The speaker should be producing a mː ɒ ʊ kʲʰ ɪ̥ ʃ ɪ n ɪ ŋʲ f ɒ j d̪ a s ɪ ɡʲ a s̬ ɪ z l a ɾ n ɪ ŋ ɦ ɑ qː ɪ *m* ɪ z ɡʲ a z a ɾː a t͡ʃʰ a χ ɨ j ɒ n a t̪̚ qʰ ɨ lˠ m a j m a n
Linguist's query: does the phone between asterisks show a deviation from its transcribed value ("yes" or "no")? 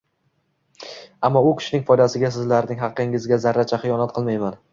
yes